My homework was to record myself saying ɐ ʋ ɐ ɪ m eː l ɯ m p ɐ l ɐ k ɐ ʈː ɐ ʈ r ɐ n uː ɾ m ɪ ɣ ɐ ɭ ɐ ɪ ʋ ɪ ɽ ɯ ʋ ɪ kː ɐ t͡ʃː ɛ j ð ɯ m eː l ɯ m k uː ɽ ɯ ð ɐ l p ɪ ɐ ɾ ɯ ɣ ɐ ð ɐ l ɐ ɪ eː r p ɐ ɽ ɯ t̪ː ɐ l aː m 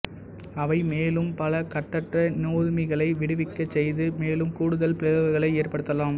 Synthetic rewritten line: ɐ ʋ ɐ ɪ m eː l ɯ m p ɐ l ɐ k ɐ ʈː ɐ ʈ r ɐ n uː ɾ m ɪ ɣ ɐ ɭ ɐ ɪ ʋ ɪ ɽ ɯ ʋ ɪ kː ɐ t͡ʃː ɛ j ð ɯ m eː l ɯ m k uː ɽ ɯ ð ɐ l p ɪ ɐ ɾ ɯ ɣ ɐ ɣ ɐ ɭ ɐ ɪ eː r p ɐ ɽ ɯ t̪ː ɐ l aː m